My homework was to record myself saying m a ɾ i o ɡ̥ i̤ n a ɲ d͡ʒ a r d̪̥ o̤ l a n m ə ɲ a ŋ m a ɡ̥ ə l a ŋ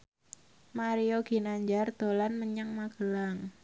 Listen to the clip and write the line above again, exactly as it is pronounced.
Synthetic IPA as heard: m a ɾ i o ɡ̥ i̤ n a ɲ d͡ʒ a r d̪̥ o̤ l a n m ə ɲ a ŋ m a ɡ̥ ə l a ŋ